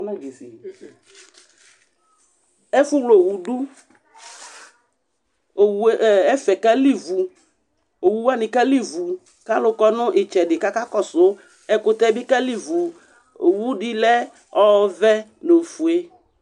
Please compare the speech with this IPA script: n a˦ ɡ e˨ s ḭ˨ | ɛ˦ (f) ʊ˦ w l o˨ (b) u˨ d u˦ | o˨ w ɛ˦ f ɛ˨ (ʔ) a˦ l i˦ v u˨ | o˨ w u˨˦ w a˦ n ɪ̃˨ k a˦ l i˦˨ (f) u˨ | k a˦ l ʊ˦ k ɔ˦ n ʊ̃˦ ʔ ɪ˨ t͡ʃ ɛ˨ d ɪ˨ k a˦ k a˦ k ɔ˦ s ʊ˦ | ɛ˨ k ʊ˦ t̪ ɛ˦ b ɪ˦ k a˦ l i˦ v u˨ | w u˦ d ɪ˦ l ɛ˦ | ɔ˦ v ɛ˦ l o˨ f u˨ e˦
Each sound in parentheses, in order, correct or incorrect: correct, incorrect: w, incorrect: k, incorrect: v

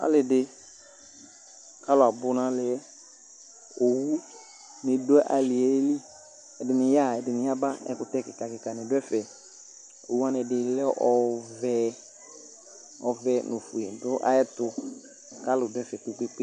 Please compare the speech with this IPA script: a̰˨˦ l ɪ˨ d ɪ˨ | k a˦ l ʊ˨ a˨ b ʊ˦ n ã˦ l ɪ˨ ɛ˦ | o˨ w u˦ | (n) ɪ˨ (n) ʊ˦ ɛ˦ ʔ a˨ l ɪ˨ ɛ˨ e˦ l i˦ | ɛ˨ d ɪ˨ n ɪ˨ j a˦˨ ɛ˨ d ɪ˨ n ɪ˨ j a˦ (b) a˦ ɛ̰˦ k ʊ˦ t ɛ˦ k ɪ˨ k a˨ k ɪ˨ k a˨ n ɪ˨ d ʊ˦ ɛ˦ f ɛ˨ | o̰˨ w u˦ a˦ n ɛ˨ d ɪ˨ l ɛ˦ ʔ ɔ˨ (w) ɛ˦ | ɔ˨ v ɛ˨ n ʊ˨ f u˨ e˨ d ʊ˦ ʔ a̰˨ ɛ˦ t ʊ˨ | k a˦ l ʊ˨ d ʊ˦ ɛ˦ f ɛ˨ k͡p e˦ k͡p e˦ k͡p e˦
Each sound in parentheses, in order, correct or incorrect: correct, incorrect: d, correct, incorrect: v

